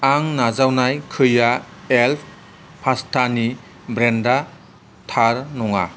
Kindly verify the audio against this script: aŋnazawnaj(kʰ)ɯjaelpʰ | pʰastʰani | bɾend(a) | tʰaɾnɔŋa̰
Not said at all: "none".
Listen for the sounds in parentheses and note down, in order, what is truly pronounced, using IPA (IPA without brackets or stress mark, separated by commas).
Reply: kʰ, a